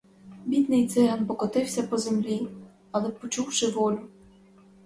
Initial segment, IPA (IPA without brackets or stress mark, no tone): bʲ